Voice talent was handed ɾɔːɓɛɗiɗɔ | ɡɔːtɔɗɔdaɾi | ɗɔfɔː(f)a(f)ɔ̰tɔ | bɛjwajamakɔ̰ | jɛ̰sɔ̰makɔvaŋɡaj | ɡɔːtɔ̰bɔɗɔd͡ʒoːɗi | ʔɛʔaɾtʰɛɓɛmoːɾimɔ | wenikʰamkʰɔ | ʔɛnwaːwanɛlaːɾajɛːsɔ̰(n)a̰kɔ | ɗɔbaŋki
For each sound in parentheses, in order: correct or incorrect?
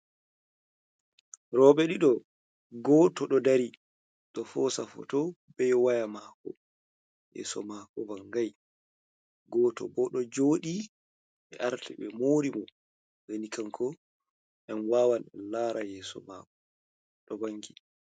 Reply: incorrect, correct, incorrect

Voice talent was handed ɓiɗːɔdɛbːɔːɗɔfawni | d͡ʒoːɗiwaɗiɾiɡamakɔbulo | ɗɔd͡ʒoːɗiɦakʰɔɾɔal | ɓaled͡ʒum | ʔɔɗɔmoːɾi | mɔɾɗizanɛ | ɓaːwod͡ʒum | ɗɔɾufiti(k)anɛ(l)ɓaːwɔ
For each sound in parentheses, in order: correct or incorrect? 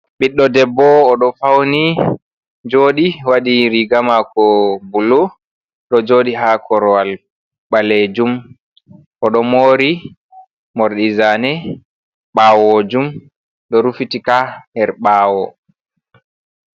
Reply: correct, incorrect

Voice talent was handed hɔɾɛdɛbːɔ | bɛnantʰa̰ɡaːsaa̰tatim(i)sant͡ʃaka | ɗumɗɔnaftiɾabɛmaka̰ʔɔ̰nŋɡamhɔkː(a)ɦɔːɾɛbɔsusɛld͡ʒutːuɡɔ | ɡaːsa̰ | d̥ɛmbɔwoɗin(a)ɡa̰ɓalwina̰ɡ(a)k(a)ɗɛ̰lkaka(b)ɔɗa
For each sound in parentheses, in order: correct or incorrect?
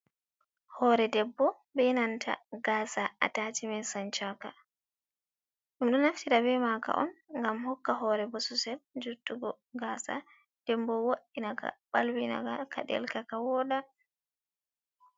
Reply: incorrect, correct, correct, correct, correct, incorrect

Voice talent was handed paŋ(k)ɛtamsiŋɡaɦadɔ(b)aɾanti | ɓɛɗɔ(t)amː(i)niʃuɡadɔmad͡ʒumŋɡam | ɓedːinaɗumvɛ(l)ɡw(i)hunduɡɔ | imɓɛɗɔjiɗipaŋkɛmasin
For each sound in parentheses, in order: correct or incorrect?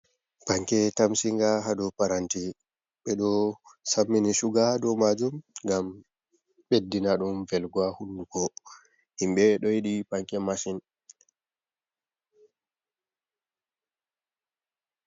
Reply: correct, incorrect, incorrect, correct, correct, incorrect

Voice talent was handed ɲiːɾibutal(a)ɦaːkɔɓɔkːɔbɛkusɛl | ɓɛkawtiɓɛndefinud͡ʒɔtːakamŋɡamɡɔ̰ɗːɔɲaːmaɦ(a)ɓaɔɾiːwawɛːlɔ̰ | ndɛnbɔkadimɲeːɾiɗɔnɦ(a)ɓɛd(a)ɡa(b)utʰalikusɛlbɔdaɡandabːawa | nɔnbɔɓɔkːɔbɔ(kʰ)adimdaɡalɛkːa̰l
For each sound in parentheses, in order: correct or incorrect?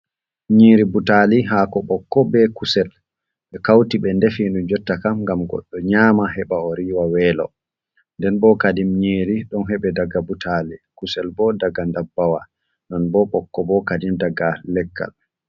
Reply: incorrect, incorrect, incorrect, correct, correct, incorrect

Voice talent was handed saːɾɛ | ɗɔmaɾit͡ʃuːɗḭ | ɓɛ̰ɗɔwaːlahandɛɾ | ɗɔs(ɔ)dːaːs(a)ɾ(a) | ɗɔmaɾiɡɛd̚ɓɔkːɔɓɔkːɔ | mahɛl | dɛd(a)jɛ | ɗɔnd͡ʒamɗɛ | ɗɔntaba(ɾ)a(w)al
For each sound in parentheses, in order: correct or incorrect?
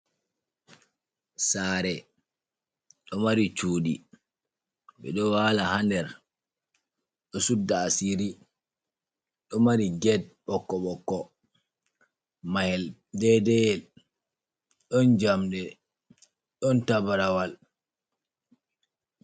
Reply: incorrect, incorrect, incorrect, incorrect, correct, correct

